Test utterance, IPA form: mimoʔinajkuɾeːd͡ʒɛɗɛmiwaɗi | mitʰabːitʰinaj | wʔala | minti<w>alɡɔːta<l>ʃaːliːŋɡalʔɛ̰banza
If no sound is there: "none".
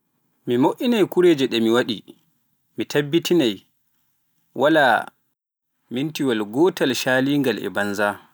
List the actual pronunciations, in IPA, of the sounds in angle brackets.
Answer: w, l

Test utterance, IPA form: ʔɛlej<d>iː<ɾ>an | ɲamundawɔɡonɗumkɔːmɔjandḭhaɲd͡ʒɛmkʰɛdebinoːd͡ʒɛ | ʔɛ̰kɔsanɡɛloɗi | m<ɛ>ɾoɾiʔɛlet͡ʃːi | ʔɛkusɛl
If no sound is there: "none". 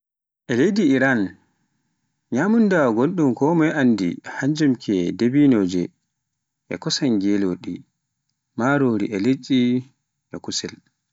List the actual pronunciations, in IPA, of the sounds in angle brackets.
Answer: d, ɾ, a

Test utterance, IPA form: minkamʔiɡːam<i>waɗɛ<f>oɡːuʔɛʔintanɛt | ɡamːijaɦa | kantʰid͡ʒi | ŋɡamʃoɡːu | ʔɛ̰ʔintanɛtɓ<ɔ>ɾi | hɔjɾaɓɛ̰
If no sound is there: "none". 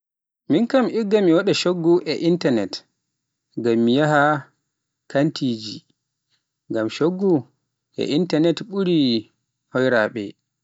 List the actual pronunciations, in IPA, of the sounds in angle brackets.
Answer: i, ʃ, u

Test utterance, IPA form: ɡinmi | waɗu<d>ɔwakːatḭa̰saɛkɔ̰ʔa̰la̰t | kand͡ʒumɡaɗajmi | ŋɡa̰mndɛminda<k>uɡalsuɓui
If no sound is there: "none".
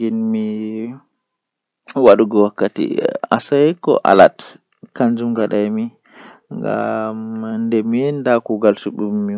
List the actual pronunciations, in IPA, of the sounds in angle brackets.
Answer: ɡ, k

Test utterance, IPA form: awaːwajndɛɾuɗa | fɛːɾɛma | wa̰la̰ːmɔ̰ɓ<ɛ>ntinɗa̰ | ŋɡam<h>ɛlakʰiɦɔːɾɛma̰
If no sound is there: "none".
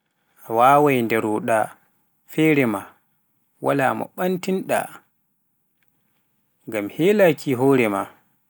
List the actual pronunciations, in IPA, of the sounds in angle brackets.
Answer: a, h

